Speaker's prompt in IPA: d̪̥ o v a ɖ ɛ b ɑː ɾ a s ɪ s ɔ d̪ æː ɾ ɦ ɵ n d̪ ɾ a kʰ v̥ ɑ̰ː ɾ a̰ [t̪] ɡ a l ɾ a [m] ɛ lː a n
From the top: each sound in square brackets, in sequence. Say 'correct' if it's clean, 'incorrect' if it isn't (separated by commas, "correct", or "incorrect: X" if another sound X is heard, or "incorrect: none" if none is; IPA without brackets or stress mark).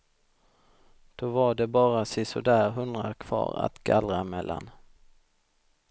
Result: correct, correct